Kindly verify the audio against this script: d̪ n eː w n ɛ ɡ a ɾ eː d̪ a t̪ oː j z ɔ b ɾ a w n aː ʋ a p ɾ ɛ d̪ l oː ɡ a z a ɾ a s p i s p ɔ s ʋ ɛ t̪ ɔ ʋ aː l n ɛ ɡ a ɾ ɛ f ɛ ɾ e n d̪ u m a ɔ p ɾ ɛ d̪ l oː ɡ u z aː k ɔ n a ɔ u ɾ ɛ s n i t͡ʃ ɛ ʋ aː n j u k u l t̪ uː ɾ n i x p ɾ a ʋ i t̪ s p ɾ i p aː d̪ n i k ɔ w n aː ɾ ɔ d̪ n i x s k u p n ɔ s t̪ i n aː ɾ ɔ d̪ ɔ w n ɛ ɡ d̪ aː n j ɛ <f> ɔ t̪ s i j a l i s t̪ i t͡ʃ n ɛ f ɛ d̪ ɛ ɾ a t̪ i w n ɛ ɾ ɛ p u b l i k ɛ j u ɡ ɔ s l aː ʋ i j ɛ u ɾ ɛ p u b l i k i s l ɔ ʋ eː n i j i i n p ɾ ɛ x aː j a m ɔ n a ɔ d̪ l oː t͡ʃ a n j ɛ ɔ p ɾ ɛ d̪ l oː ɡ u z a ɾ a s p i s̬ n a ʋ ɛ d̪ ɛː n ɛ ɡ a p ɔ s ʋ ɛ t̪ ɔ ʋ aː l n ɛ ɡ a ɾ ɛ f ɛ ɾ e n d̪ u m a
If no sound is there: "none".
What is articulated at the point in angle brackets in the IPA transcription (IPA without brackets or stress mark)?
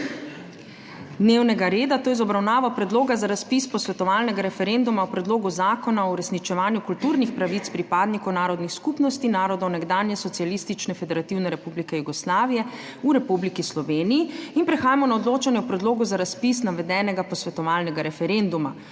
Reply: s